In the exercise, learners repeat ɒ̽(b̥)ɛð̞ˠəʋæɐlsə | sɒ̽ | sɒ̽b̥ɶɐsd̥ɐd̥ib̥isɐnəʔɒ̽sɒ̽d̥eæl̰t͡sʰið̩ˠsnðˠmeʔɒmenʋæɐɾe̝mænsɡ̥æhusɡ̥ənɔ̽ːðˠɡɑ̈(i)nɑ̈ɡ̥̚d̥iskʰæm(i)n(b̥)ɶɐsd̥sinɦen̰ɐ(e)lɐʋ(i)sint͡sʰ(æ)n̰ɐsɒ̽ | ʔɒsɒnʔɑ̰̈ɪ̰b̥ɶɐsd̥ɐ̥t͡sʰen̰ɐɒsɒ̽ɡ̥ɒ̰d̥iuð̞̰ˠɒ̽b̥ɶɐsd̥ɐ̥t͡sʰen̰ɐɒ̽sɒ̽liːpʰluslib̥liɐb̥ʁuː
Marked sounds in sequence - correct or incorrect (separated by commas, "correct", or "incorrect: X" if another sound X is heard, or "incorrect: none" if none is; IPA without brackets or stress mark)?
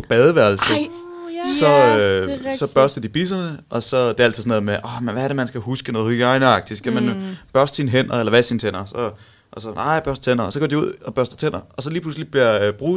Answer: correct, incorrect: ɪ, incorrect: æ, correct, correct, incorrect: æ, incorrect: e